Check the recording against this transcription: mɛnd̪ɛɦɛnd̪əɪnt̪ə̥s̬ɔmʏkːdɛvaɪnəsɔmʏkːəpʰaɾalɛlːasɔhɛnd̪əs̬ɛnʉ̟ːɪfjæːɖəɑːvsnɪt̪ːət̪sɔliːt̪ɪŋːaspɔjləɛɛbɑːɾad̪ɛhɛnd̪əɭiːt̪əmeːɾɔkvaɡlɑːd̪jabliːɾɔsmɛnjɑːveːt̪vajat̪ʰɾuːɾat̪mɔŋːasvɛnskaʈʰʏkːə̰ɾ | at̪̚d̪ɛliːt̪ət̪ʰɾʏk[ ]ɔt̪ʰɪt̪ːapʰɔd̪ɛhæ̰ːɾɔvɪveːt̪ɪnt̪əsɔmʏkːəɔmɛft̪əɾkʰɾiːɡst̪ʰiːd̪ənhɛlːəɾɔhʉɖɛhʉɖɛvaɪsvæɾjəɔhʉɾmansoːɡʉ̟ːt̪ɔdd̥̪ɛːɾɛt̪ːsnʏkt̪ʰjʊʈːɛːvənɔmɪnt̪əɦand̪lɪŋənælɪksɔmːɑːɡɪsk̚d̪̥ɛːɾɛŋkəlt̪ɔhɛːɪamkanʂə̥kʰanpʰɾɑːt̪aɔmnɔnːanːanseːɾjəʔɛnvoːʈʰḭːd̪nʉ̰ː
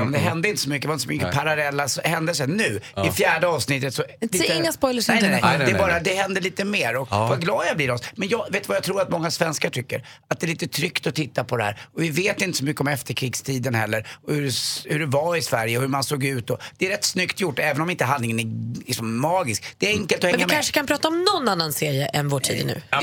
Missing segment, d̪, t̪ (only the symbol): t̪